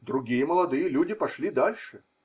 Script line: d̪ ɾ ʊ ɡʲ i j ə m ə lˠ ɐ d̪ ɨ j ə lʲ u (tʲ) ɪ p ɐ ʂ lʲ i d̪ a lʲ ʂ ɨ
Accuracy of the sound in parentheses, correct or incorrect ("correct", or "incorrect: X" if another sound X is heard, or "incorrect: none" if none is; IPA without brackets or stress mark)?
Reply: incorrect: dʲ